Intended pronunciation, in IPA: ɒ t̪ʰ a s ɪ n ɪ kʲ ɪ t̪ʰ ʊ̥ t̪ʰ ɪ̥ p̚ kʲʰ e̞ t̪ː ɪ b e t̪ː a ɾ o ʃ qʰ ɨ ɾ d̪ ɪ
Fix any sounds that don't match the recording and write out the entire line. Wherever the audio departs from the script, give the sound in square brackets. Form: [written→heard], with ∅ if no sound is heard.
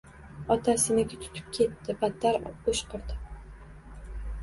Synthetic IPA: ɒ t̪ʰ a s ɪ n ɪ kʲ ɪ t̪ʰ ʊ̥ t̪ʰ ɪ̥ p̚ kʲʰ e̞ t̪ː ɪ b [e→a] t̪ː a ɾ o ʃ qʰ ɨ ɾ d̪ ɪ